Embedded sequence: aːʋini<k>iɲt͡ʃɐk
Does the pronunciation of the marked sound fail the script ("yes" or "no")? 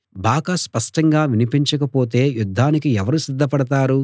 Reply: yes